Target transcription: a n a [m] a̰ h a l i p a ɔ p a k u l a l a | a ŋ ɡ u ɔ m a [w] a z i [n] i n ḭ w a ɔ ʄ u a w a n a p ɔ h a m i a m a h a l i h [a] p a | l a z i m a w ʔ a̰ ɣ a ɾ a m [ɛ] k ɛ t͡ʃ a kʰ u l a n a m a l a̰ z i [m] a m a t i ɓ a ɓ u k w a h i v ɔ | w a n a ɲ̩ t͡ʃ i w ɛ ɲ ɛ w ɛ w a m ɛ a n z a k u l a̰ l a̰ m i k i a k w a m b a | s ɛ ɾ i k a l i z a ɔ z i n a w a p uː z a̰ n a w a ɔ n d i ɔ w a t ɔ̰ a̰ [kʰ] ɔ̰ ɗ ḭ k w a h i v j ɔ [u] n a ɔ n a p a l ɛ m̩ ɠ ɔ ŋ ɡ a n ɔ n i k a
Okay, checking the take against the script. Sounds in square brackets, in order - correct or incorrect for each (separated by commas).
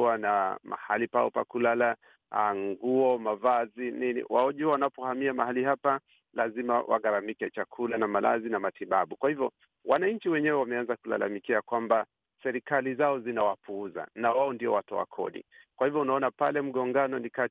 correct, incorrect, correct, correct, incorrect, incorrect, correct, correct